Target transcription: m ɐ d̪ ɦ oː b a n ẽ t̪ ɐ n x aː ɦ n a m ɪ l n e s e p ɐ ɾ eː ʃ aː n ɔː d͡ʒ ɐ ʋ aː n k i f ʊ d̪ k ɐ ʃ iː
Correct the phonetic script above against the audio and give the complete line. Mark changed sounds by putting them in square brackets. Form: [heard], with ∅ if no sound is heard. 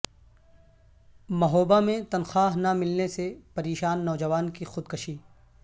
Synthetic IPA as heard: m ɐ [∅] ɦ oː b a [m] ẽ t̪ ɐ n x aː ɦ n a m ɪ l n e s e p ɐ ɾ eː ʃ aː [nː] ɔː d͡ʒ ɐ ʋ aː n k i [x] ʊ d̪ k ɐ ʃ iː